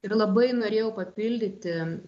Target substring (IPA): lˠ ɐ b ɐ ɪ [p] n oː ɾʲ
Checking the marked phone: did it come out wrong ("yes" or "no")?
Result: yes